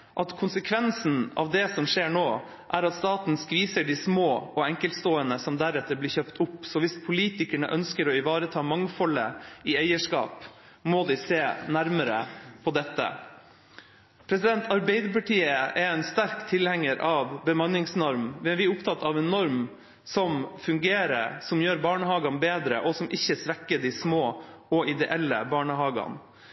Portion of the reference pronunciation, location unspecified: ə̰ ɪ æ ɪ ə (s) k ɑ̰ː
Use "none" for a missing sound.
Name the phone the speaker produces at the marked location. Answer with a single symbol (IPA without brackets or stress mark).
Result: ʂ